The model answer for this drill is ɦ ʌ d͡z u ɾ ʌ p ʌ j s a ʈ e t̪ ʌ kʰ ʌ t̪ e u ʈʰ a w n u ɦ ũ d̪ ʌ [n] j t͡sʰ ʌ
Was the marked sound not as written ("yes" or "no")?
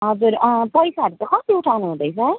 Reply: yes